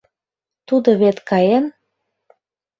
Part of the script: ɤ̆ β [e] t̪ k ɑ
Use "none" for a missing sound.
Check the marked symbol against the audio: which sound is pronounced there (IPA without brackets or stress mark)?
e